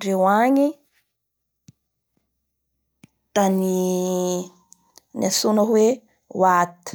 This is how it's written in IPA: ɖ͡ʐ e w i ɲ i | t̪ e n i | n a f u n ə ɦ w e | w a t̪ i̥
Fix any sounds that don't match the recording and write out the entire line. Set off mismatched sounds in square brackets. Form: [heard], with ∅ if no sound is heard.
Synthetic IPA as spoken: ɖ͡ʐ e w [a] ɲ i | t̪ [a] n i | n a [s] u n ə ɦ w e | w a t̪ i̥